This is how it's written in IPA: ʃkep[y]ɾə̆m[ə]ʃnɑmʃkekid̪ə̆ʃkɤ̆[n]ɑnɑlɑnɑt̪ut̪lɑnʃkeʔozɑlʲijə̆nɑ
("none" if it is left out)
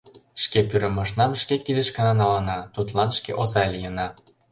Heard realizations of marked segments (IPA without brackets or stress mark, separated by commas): y, ɑ, n